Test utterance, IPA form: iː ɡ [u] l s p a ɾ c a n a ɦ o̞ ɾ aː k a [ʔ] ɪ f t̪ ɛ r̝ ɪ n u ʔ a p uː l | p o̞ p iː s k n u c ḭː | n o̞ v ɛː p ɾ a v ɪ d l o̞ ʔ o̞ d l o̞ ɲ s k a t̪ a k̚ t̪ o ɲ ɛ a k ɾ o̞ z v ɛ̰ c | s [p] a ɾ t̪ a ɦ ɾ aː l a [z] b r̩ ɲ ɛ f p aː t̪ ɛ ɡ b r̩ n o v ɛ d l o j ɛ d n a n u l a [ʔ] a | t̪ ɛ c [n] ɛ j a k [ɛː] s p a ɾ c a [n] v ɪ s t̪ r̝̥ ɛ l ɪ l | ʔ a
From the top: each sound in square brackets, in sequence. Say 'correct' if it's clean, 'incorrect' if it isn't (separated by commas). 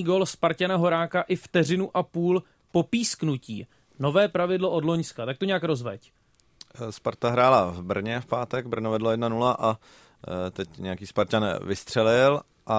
incorrect, correct, correct, incorrect, correct, incorrect, incorrect, correct